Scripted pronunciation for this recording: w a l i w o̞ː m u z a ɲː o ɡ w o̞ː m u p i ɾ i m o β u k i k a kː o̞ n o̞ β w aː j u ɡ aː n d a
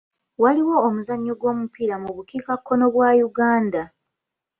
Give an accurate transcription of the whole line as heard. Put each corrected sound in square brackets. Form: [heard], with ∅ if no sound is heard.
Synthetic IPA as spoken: w a l i w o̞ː m u z a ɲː o ɡ w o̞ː m u p i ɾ [a] m [u] β u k i k a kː o̞ n o̞ β w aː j u ɡ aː n d a